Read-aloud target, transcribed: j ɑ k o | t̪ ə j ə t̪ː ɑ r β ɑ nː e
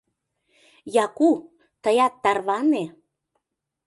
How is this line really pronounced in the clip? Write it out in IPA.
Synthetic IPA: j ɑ k u | t̪ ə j ɑ t̪ː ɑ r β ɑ n e